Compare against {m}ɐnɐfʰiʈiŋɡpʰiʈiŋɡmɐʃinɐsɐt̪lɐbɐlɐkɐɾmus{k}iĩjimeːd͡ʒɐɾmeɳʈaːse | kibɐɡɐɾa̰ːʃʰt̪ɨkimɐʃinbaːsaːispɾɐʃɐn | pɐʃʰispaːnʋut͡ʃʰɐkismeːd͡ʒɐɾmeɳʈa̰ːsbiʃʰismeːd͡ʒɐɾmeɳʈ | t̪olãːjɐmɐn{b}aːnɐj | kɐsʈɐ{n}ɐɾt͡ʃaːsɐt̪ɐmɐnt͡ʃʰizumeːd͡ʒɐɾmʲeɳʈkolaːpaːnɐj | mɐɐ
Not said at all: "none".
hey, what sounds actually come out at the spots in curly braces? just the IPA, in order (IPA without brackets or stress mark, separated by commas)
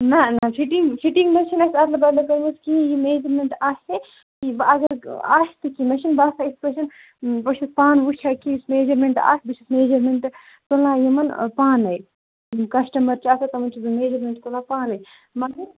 n, k, p, m